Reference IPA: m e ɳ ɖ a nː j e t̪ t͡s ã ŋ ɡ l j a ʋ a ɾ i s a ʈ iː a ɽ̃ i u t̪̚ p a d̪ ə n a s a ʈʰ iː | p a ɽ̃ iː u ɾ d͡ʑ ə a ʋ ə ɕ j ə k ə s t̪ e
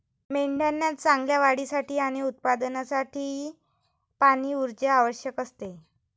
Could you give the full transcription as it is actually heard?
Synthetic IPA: m e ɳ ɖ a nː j a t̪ t͡s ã ŋ ɡ l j a ʋ a ɽ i s a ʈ iː a ɽ̃ i u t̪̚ p a d̪ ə n a s a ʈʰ iː | p a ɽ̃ iː u ɾ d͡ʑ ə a ʋ ə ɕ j ə k ə s t̪ e